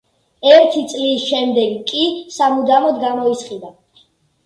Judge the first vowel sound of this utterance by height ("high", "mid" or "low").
mid